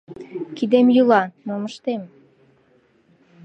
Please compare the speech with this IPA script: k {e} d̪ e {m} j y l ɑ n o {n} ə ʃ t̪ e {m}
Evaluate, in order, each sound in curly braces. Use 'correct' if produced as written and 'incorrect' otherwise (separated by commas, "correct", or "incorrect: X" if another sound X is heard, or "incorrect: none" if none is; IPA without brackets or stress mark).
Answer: incorrect: i, correct, incorrect: m, correct